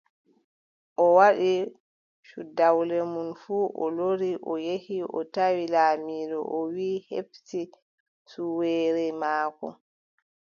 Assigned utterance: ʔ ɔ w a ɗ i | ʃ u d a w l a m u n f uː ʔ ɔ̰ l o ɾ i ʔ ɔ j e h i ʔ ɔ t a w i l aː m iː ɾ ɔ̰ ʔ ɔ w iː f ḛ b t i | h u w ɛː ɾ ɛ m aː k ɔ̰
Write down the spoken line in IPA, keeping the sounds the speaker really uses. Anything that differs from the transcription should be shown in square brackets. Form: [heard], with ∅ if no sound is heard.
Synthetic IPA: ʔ ɔ w a ɗ i | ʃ u d a w l [ɛ] m u n f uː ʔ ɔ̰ l o ɾ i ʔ ɔ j e h i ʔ ɔ t a w i l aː m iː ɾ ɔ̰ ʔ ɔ w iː [h] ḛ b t i | [s] u w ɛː ɾ ɛ m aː k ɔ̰